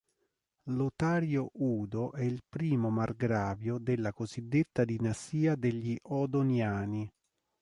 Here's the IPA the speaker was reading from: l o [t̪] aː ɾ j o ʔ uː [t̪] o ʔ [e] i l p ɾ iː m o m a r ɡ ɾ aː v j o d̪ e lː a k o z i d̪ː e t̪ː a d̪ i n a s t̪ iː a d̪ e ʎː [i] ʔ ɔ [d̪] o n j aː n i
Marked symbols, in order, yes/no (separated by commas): yes, no, no, yes, yes